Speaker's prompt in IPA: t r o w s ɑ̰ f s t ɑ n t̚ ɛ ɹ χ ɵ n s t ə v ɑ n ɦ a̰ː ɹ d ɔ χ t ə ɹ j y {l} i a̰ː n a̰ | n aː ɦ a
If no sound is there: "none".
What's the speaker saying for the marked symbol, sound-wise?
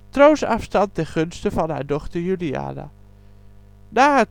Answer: l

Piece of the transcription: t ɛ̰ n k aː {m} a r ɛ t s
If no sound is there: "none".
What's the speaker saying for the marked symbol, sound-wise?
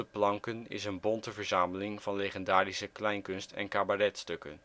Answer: b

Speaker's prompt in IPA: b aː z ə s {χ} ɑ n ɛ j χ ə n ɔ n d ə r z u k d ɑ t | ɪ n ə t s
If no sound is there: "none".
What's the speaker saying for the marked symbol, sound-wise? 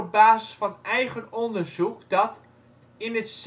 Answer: f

